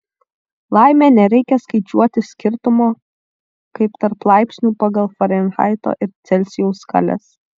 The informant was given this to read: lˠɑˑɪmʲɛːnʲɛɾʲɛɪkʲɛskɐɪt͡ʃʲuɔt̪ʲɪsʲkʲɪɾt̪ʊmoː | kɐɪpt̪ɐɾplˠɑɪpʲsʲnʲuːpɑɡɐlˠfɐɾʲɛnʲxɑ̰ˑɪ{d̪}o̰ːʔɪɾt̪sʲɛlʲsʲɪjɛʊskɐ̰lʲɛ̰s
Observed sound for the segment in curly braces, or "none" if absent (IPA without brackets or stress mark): t̪